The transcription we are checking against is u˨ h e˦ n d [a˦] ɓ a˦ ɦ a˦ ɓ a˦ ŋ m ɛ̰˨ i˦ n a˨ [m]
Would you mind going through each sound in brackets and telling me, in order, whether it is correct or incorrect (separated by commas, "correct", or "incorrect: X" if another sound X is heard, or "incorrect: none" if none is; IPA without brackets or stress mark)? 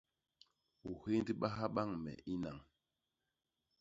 incorrect: i˦, incorrect: ŋ